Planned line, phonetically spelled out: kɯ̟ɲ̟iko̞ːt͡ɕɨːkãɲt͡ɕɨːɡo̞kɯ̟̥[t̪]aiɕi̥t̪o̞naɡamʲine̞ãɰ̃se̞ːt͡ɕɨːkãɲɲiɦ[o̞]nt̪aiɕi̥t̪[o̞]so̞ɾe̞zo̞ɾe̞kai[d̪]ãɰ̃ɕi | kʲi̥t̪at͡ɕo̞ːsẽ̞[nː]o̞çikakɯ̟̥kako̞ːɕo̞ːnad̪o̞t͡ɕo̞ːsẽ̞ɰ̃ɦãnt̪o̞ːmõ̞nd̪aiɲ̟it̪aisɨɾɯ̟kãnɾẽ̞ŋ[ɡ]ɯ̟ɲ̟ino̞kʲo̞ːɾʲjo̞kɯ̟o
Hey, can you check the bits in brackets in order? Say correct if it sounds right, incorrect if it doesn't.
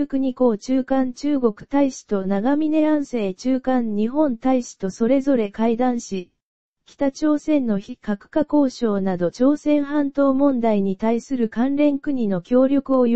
correct, incorrect: õ̞, correct, correct, correct, incorrect: k

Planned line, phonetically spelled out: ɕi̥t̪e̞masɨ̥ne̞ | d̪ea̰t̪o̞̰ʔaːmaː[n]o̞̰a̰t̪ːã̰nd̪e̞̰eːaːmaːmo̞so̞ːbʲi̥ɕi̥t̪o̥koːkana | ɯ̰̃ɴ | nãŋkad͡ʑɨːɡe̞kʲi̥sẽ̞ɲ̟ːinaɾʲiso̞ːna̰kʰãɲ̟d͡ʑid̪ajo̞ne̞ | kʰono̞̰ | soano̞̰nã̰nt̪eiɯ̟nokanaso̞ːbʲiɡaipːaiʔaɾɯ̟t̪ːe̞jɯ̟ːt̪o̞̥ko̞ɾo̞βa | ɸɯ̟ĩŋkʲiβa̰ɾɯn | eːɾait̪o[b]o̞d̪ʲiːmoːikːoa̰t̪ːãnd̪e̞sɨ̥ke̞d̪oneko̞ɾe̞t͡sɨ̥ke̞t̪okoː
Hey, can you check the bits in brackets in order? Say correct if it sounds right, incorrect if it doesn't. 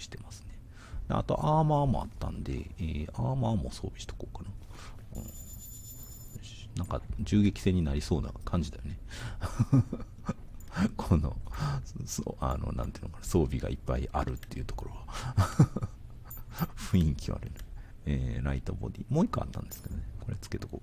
incorrect: m, correct

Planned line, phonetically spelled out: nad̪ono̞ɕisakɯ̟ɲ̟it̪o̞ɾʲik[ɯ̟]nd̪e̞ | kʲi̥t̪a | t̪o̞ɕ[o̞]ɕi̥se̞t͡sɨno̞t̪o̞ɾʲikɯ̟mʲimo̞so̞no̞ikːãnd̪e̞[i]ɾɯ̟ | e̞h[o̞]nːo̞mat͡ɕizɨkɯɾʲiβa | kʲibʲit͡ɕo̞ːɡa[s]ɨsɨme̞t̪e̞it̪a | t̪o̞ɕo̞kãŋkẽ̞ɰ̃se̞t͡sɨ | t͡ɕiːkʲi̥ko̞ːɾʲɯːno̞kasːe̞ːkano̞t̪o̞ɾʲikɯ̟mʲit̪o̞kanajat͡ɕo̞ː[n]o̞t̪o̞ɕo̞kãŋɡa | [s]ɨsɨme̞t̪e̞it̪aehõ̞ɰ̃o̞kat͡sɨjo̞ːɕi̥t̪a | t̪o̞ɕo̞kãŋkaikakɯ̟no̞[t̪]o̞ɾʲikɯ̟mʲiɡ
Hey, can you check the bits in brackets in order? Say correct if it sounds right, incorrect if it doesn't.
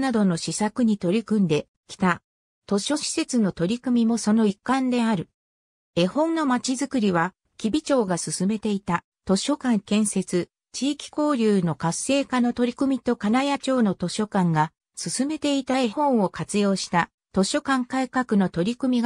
incorrect: ɯ̟̃, correct, incorrect: a, incorrect: õ̞, correct, correct, correct, correct

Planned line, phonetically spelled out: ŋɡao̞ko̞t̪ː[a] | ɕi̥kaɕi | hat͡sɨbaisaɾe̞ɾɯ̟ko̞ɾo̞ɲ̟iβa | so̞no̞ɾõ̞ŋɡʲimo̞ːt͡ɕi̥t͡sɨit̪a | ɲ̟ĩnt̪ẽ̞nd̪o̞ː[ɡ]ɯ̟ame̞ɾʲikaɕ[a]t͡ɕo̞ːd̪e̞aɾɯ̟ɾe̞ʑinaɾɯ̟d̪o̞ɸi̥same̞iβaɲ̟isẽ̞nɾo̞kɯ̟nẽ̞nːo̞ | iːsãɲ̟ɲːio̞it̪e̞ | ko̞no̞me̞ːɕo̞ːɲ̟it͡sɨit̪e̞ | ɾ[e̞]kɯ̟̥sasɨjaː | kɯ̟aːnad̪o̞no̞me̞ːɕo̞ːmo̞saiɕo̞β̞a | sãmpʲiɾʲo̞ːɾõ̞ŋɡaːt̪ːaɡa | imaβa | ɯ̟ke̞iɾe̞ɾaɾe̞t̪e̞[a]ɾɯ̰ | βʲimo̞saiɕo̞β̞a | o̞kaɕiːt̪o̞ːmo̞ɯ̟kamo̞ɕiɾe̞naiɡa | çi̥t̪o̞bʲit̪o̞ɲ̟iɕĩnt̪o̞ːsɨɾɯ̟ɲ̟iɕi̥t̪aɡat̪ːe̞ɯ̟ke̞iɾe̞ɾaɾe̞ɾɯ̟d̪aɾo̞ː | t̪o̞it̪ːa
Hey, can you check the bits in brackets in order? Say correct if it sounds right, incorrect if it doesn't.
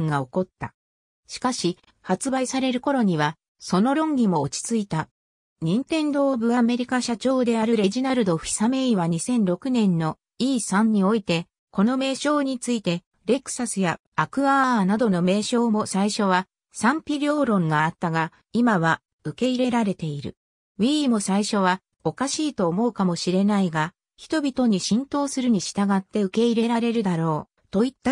correct, incorrect: b, correct, correct, incorrect: i

